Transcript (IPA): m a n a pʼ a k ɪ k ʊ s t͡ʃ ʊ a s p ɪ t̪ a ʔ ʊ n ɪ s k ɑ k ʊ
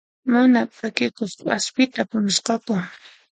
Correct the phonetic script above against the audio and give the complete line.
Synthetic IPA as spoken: m a n a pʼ a k ɪ k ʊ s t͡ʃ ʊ a s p ɪ t̪ a p ʊ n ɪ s q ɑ k ʊ

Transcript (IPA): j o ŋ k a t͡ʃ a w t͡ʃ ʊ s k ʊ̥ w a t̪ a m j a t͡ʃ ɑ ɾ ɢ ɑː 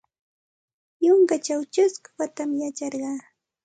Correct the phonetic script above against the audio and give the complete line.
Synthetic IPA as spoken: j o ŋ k a t͡ʃ a w t͡ʃ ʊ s k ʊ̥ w a t̪ a m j a t͡ʃ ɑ ɾ ɢ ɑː

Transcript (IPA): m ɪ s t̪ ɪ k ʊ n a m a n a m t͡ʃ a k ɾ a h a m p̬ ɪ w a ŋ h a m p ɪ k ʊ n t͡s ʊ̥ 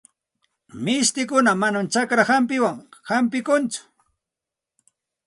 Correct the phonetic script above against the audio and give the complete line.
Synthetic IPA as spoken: m ɪ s t̪ ɪ k ʊ n a m a n a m t͡ʃ a k ɾ a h a m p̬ ɪ w a ŋ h a m p ɪ k ʊ n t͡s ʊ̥

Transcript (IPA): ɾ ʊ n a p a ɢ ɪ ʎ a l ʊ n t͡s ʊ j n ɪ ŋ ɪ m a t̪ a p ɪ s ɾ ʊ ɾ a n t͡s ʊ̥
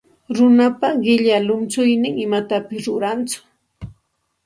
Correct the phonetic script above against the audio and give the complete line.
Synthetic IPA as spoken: ɾ ʊ n a p a ɢ ɪ ʎ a l ʊ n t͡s ʊ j n ɪ ŋ ɪ m a t̪ a p ɪ s ɾ ʊ ɾ a n t͡s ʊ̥

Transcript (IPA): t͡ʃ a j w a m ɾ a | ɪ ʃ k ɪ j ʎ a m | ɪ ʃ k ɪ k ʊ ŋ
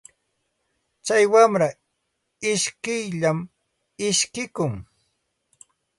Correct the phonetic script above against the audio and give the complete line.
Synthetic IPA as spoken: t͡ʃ a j w a m ɾ a | ɪ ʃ k ɪ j ʎ a m | ɪ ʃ k ɪ k ʊ ŋ

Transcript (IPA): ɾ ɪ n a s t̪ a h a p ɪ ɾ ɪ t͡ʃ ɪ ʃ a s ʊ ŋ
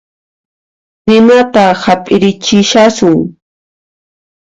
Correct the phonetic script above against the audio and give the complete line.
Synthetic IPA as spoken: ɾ ɪ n a t̪ a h a pʼ ɪ ɾ ɪ t͡ʃ ɪ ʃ a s ʊ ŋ

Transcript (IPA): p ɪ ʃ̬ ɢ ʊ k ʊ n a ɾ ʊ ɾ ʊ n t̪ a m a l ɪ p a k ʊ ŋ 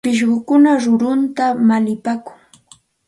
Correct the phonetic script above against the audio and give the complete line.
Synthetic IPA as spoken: p ɪ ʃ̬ ɢ ʊ k ʊ n a ɾ ʊ ɾ ʊ n t̪ a m a l ɪ p a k ʊ ŋ

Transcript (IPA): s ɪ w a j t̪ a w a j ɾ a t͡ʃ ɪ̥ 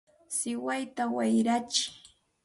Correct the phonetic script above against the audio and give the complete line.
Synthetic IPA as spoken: s ɪ w a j t̪ a w a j ɾ a t͡ʃ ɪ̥

